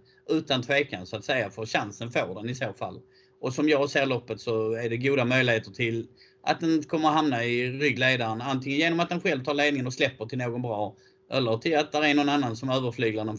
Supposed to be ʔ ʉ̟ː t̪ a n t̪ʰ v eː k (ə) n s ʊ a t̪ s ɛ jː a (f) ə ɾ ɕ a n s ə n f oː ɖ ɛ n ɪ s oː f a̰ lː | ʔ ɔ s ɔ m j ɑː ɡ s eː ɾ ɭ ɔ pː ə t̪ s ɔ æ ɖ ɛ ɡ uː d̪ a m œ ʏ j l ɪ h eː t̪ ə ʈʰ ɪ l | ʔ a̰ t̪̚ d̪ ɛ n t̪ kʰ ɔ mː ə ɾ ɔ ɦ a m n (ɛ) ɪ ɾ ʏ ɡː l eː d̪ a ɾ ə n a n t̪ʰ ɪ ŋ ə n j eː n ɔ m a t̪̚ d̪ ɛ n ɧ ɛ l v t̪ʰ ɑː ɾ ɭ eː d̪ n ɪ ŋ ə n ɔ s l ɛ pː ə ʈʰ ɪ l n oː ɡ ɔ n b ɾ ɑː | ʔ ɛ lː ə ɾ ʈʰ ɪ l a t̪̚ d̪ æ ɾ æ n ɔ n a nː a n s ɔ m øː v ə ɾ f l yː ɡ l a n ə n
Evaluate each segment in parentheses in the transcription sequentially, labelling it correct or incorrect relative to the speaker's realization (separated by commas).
incorrect, correct, incorrect